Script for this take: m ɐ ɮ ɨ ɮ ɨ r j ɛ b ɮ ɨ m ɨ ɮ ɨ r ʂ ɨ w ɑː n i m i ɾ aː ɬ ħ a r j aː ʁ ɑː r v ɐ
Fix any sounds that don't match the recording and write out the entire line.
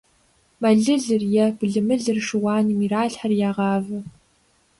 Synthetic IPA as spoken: m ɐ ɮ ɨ ɮ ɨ r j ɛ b ɮ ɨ m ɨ ɮ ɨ r ʂ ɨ w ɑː n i m i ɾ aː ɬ ħ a r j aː ʁ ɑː v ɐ